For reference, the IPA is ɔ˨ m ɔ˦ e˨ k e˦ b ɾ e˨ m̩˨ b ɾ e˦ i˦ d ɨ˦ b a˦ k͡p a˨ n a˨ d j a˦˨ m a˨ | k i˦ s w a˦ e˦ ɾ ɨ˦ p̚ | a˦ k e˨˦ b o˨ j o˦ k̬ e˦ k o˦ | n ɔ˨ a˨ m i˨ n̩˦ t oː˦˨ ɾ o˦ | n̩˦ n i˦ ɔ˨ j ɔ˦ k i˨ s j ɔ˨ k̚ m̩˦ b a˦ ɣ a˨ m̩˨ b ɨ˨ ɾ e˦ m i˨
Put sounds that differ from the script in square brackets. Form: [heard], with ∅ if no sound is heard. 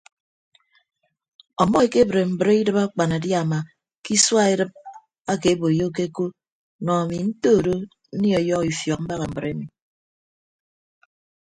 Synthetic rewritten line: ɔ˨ m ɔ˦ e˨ k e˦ b ɾ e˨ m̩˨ b ɾ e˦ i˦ d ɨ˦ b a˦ k͡p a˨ n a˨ d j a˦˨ m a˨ | k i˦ s w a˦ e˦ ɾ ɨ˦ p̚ | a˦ k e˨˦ b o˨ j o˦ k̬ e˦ k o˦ | n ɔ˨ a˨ m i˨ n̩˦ t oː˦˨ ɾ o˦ | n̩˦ n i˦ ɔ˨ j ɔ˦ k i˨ [f] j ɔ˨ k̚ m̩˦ b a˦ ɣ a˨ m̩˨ b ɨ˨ ɾ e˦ m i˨